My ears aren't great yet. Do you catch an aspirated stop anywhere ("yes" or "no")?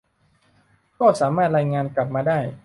no